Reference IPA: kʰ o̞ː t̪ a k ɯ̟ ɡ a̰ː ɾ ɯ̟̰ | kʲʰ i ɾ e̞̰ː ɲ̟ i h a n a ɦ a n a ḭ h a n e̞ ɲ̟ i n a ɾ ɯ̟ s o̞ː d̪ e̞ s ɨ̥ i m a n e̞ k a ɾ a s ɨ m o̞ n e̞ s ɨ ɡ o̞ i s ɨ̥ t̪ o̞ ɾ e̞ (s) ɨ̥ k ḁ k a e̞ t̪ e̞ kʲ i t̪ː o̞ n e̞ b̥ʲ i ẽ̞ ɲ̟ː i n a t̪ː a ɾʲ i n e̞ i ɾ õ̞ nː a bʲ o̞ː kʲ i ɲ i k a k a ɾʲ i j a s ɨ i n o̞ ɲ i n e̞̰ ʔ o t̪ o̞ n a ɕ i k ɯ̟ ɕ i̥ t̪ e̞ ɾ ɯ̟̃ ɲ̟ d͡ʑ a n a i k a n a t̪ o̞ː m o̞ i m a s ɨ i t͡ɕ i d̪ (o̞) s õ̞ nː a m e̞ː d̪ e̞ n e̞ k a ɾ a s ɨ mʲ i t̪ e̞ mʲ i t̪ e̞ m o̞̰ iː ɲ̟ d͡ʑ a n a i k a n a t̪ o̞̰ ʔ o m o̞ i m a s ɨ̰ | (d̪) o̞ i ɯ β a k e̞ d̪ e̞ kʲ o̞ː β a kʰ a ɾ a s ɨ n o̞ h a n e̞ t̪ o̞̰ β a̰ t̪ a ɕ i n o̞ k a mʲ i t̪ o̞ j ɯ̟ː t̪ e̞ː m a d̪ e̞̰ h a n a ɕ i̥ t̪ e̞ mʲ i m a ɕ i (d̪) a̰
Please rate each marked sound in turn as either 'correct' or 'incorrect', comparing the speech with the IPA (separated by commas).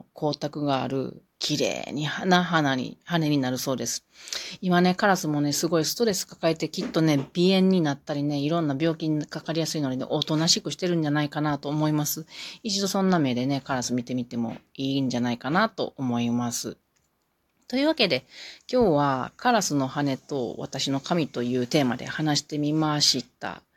correct, correct, incorrect, incorrect